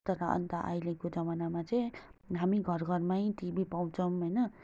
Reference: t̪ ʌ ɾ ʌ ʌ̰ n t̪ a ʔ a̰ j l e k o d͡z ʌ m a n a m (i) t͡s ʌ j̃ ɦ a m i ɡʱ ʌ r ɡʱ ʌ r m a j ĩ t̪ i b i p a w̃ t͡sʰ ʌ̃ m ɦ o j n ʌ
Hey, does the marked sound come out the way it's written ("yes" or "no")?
no